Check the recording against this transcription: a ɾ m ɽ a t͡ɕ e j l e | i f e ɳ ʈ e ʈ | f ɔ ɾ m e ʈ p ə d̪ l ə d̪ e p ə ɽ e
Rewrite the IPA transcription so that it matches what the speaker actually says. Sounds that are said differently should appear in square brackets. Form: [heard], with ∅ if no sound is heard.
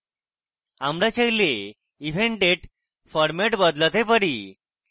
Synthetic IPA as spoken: a [∅] m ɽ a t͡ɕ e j l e | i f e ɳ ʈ e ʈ | f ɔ ɾ m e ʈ [b] ə d̪ l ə [t̪] e p ə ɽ [i]